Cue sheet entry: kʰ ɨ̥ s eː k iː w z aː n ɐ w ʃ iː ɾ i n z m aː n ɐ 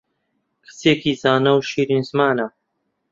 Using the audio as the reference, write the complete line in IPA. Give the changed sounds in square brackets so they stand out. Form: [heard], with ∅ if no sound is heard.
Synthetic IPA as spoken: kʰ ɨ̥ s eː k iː [∅] z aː n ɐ w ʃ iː ɾ i n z m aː n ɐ